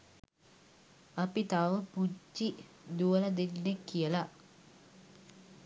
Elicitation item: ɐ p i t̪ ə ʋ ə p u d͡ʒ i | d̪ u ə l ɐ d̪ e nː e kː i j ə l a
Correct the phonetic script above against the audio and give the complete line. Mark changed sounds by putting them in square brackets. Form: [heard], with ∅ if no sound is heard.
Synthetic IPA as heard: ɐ p i t̪ [a] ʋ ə p u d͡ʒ i | d̪ u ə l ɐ d̪ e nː e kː i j ə l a